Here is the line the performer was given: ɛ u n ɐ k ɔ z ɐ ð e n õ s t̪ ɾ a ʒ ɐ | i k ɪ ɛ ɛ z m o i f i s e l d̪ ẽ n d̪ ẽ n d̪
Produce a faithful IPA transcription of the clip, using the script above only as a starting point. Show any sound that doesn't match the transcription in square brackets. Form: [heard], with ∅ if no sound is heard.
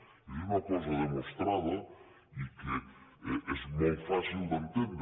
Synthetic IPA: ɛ u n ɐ k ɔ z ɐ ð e [m] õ s t̪ ɾ a [ð] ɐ | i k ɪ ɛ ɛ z m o [j] f [a] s [i] l d̪ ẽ n [t̪] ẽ n d̪

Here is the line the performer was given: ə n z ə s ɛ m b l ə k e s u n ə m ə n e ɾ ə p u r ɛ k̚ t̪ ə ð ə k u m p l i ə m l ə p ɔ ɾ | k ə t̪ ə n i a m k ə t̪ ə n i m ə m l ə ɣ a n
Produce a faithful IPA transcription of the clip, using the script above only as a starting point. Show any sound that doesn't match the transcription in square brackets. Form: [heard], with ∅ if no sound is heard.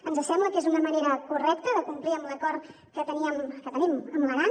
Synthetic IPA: ə n z ə s ɛ m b l ə k e [z] u n ə m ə n e ɾ ə [k] u r ɛ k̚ t̪ ə ð ə k u m p l i ə m l ə [k] ɔ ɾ | k ə t̪ ə n i [ə] m k ə t̪ ə n i m ə m l ə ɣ a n

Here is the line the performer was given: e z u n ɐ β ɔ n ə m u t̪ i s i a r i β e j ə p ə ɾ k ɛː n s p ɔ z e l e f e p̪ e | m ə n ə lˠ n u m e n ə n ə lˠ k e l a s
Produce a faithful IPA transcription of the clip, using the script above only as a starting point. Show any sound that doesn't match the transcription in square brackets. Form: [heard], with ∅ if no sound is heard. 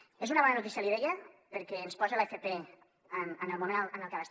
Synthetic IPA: e z u n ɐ β ɔ n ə [n] u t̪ i s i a [l] i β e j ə p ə ɾ k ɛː n s p ɔ z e l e f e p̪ e | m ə n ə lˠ [m] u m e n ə n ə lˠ k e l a s

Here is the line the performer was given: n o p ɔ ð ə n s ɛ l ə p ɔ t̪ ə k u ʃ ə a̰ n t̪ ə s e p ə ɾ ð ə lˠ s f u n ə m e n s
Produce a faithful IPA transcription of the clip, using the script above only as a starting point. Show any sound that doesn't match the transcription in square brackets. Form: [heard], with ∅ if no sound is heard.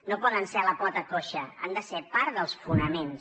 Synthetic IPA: n o p ɔ ð ə n s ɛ l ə p ɔ t̪ ə k [o] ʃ ə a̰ n [d̪] ə s e p [a] ɾ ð ə lˠ s f u n ə m e n s

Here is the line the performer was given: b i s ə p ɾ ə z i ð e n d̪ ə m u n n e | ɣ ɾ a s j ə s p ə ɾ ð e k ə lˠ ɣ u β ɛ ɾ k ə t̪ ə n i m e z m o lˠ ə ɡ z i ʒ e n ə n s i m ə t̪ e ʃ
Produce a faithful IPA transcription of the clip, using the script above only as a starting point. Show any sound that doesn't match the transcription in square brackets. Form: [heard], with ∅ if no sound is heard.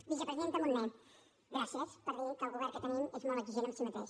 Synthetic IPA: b i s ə p ɾ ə z i ð e n [t̪] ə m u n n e | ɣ ɾ a s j ə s p ə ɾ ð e k ə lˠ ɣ u β ɛ ɾ k ə t̪ ə n i m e z m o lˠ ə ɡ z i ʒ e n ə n s i m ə t̪ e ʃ

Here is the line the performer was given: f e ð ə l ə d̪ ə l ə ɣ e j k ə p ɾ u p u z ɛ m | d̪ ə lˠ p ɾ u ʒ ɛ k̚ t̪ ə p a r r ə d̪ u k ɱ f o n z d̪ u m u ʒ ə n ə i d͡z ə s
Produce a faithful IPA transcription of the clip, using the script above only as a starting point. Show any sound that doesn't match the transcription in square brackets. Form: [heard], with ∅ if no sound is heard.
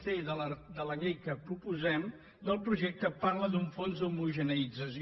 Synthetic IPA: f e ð ə l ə d̪ ə l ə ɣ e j k ə p ɾ u p u z ɛ m | d̪ ə lˠ p ɾ u ʒ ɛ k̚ t̪ ə p a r [l] ə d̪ u [∅] ɱ f o n z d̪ u m u ʒ ə n ə i d͡z ə s

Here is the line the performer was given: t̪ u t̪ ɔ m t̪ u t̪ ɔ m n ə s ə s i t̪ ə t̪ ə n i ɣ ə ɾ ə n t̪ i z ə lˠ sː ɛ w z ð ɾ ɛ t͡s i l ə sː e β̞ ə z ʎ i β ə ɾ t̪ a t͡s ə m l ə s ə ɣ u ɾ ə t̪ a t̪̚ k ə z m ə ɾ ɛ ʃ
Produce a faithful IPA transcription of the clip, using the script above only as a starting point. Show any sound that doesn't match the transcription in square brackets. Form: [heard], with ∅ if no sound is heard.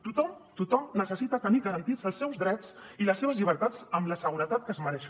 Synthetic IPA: t̪ u t̪ ɔ m t̪ u t̪ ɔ m n ə s ə s i t̪ ə t̪ ə n i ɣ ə ɾ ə n t̪ i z ə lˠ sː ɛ w z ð ɾ ɛ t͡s i l ə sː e β̞ ə z ʎ i β ə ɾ t̪ a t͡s ə m l ə s ə ɣ u ɾ ə t̪ a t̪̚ k ə z m ə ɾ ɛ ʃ

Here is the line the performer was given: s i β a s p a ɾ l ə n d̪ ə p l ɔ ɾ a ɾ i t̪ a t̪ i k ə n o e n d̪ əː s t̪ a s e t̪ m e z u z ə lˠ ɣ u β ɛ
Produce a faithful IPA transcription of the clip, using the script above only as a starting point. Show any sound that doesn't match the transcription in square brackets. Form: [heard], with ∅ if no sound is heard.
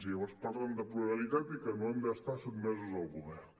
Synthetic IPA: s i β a s p a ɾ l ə n d̪ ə p l [u] ɾ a [l] i t̪ a t̪ i k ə n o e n d̪ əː s t̪ a s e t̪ m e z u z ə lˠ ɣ u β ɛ

